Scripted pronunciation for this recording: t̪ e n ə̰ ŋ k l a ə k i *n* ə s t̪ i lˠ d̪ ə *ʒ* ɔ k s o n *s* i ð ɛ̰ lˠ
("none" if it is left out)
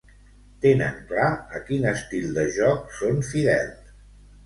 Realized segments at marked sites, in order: n, ʒ, f

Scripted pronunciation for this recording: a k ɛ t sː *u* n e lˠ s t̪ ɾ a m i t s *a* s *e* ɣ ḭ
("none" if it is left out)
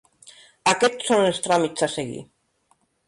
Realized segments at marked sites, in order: o, a, e

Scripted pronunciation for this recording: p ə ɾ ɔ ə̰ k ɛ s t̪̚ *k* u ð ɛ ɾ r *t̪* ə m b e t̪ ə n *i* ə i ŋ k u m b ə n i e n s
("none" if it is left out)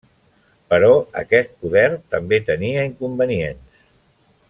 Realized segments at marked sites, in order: p, t̪, i

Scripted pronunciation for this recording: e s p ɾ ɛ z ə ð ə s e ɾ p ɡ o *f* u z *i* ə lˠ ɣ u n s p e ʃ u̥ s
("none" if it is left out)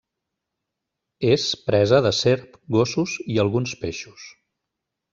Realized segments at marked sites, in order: s, i

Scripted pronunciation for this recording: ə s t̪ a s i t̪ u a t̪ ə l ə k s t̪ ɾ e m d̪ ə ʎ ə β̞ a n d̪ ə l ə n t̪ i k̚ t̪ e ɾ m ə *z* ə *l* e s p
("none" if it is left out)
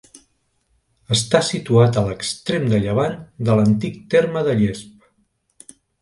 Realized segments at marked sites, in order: ð, ʎ

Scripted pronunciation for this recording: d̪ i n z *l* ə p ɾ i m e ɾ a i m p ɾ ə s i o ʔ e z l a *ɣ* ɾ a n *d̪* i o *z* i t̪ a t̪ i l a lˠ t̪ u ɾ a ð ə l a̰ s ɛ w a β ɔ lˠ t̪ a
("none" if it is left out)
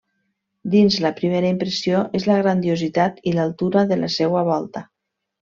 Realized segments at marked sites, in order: l, ɣ, d̪, z

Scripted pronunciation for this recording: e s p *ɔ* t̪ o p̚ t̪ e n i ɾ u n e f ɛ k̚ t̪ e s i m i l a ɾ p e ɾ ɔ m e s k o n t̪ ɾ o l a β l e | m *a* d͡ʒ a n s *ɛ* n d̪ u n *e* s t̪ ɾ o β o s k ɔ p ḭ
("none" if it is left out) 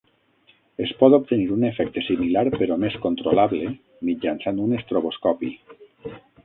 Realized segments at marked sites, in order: ɔ, i, a, e

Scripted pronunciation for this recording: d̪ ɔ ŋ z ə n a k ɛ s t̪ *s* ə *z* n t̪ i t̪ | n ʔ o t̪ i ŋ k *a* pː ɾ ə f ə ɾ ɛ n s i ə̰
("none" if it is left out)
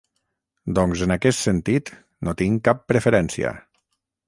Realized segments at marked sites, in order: s, none, a

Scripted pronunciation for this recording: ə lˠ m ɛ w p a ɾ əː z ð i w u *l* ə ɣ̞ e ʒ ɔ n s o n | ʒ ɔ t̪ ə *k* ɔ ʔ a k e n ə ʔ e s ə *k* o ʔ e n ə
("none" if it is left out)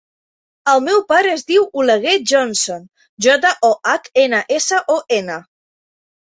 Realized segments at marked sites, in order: l, ʔ, ʔ

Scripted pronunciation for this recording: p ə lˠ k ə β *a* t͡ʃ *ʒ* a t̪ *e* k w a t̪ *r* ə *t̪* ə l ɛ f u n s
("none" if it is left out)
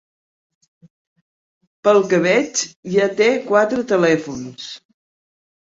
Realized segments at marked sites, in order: ɛ, ʒ, e, ɾ, t̪

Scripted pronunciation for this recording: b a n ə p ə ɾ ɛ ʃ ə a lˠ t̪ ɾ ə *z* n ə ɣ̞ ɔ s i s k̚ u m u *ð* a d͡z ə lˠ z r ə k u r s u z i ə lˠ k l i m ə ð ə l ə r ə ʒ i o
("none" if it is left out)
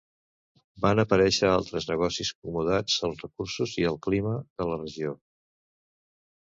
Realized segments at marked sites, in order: z, ð

